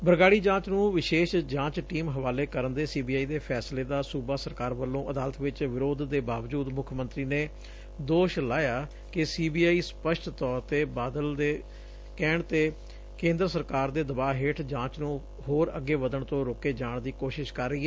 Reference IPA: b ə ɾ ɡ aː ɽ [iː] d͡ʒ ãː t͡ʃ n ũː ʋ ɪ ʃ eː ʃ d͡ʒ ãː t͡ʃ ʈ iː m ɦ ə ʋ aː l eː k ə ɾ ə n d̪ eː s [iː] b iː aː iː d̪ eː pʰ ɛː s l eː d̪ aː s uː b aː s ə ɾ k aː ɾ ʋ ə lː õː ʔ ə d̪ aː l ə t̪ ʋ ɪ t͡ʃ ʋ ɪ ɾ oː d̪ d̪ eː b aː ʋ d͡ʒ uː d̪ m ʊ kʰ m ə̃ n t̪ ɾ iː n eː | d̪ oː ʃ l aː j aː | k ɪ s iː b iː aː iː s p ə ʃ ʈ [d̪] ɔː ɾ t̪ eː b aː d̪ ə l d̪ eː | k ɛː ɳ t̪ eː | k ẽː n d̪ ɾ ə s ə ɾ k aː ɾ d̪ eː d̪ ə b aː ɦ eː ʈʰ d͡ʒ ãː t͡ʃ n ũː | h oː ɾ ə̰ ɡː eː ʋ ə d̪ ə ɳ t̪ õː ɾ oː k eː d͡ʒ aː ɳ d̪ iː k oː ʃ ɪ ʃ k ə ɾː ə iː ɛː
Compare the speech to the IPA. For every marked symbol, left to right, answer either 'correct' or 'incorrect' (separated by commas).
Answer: correct, correct, incorrect